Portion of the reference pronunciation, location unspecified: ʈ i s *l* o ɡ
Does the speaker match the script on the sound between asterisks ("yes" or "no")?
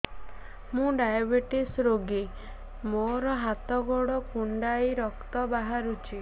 no